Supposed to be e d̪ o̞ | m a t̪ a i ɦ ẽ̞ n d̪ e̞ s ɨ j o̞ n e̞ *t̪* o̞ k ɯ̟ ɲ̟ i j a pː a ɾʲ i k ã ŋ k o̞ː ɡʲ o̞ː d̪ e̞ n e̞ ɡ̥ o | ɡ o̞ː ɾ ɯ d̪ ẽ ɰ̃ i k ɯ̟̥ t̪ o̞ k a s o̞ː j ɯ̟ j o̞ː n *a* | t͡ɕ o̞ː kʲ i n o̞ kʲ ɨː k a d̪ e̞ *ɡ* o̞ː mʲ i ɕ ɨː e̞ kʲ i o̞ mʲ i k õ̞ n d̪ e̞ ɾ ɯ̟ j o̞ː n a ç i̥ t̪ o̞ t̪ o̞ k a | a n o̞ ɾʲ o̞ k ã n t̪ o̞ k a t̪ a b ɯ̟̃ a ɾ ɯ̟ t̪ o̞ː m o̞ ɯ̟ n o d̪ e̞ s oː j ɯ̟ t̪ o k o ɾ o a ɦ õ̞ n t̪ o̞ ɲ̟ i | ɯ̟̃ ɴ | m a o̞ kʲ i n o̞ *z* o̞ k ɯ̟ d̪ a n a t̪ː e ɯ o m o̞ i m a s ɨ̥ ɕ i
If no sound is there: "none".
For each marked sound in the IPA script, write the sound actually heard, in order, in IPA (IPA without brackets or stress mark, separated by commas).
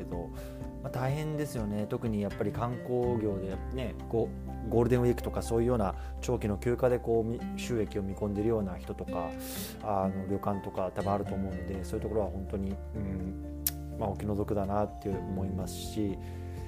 t̪, a, k, z